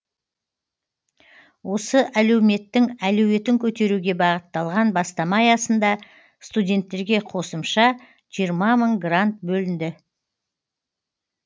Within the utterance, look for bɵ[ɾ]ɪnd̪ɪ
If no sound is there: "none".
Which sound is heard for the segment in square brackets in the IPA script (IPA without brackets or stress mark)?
l